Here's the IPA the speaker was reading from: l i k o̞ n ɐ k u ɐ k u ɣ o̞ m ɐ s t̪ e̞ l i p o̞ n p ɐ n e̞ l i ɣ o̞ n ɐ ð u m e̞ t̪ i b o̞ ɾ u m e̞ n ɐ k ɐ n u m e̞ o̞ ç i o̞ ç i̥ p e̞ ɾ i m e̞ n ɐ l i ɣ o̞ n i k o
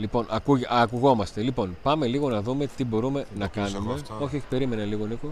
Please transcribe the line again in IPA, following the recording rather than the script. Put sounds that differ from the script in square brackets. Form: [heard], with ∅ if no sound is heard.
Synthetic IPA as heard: l i [p] o̞ n ɐ k u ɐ k u ɣ o̞ m ɐ s t̪ e̞ l i p o̞ n p ɐ [m] e̞ l i ɣ o̞ n ɐ ð u m e̞ t̪ i b o̞ ɾ u m e̞ n ɐ k ɐ n u m e̞ o̞ ç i o̞ ç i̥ p e̞ ɾ i m e̞ n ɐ l i ɣ o̞ n i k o